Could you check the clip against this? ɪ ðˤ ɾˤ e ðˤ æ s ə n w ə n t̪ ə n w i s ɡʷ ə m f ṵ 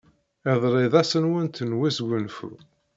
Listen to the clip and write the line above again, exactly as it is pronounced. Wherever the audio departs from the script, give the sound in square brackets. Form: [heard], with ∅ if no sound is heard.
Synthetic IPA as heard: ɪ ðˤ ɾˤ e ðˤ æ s ə n w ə n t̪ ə n w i s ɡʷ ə [n] f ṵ